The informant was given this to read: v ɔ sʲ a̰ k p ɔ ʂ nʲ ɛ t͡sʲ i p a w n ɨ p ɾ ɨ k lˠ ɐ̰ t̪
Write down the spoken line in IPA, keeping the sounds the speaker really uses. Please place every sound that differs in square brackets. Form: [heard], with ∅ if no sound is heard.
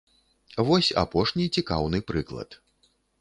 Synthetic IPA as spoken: v ɔ sʲ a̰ [∅] p ɔ ʂ nʲ [i] t͡sʲ i [k] a w n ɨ p ɾ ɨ k lˠ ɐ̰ t̪